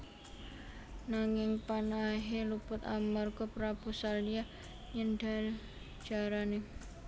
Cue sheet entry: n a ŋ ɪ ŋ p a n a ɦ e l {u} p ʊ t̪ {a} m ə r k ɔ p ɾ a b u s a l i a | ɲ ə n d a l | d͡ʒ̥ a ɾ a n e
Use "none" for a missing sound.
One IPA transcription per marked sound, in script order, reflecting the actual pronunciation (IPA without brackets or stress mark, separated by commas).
u, a